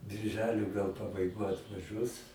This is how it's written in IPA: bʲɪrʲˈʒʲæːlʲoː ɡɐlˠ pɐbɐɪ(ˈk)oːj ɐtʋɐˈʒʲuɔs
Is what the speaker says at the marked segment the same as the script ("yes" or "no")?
no